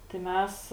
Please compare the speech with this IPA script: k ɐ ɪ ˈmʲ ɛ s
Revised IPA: t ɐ ɪ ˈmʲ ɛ s

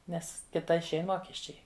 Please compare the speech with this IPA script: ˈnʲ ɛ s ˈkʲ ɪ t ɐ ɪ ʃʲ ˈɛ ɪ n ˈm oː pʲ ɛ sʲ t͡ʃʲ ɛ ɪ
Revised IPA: ˈnʲ ɛ s ˈkʲ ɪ t ɐ ɪ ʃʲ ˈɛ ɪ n ˈm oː kʲ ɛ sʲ t͡ʃʲ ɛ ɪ

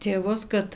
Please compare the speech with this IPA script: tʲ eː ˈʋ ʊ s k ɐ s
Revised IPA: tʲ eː ˈʋ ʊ s k ɐ t

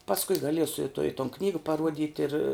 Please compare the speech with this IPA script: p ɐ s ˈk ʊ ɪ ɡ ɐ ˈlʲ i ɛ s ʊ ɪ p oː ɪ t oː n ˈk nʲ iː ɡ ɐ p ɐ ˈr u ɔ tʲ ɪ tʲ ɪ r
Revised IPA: p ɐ s ˈk ʊ ɪ ɡ ɐ ˈlʲ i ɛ s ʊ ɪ t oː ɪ t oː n ˈk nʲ iː ɡ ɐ p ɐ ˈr u ɔ dʲ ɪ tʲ ɪ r

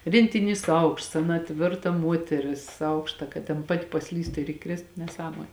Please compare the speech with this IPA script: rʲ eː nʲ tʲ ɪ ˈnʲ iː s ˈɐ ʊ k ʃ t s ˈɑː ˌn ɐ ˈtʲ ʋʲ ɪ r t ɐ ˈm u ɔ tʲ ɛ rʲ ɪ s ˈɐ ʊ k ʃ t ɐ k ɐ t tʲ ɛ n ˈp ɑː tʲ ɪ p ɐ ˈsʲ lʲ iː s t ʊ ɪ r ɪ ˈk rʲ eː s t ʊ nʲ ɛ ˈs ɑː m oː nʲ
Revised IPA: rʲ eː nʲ tʲ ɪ ˈnʲ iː s ˈɐ ʊ k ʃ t s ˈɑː ˌn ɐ ˈtʲ ʋʲ ɪ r t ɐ ˈm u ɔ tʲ ɛ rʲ ɪ s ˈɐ ʊ k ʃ t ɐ k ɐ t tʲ ɛ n ˈp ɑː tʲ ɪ p ɐ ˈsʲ lʲ iː s t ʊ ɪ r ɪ ˈk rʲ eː s t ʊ nʲ ɛ ˈs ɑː m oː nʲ

